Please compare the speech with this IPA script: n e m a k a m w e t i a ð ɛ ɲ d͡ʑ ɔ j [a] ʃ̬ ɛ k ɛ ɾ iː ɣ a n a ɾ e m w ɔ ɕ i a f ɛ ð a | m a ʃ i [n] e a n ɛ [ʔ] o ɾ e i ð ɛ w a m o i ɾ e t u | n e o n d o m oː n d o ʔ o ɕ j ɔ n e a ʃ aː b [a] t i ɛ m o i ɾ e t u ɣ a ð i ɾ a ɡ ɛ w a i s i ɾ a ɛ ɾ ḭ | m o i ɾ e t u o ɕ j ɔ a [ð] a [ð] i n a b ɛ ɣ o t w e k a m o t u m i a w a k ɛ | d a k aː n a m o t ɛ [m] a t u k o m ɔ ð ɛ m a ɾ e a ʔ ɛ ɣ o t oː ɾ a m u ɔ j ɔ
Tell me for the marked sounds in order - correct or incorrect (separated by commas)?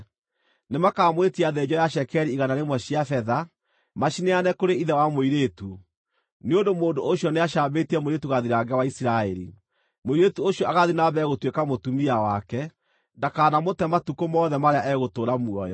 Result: correct, correct, incorrect, incorrect, incorrect, correct, correct